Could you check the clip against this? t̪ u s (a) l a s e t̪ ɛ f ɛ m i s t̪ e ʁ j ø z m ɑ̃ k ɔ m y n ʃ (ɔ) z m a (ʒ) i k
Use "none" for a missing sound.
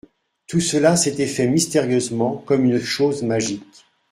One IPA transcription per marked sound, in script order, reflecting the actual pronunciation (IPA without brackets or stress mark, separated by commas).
ə, o, ʒ